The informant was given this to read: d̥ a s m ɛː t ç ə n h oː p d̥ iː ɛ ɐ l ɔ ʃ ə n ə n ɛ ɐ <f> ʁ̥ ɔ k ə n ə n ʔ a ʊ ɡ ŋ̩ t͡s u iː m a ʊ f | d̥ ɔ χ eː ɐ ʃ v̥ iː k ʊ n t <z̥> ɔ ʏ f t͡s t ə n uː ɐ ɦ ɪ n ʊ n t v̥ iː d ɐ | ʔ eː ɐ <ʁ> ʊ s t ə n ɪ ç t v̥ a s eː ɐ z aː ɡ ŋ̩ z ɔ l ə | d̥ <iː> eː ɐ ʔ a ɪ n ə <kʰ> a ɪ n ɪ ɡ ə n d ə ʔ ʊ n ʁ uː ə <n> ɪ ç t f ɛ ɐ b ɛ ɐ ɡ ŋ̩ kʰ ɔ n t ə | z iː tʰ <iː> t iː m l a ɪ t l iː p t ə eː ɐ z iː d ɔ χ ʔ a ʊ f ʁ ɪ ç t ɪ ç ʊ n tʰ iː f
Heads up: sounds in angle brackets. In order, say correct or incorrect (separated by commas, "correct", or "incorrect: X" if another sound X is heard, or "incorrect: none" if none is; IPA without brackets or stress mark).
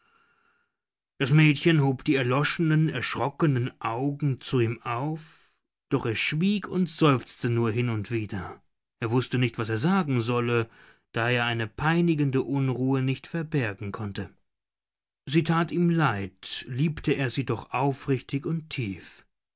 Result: incorrect: ʃ, correct, incorrect: v, incorrect: aː, incorrect: pʰ, correct, incorrect: aː